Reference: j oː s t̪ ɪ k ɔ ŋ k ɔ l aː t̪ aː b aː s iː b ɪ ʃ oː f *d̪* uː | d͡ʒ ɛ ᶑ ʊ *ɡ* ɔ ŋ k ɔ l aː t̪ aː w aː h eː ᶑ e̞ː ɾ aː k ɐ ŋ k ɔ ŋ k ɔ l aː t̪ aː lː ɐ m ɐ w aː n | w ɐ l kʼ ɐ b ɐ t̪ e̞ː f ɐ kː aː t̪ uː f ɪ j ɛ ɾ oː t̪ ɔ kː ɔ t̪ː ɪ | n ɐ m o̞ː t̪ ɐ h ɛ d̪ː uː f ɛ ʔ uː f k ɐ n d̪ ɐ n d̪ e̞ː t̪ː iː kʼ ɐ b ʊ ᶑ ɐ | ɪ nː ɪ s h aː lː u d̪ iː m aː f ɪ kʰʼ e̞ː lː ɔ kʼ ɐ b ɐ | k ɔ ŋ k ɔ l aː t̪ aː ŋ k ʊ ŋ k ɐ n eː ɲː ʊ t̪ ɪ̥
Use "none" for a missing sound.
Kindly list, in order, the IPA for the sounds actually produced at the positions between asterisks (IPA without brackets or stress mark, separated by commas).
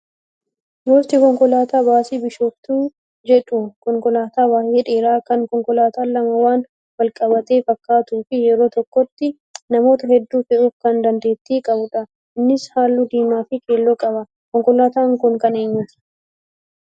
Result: t̪, k